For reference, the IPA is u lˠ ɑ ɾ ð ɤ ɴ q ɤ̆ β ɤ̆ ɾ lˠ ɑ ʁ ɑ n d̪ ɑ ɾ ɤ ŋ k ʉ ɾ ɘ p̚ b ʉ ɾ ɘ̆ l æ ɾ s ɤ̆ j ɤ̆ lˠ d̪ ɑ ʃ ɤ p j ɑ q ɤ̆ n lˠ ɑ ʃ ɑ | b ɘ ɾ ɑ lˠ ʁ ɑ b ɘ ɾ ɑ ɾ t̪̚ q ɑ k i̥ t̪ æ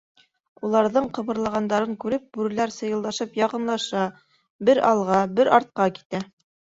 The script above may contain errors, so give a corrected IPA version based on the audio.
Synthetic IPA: u lˠ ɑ ɾ ð ɤ ɴ q ɤ̆ β ɤ̆ ɾ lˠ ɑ ʁ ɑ n d̪ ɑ ɾ ɤ ŋ k ʉ ɾ ɘ p̚ b ʉ ɾ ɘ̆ l æ ɾ s ɤ̆ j ɤ̆ lˠ d̪ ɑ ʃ ɤ p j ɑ q ɤ̆ n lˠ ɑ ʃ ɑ | b ɘ ɾ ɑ lˠ ʁ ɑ b ɘ ɾ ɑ ɾ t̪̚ q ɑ k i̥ t̪ æ